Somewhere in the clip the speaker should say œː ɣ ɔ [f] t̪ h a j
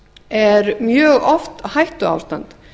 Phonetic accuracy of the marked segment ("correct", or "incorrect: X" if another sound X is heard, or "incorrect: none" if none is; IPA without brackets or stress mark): correct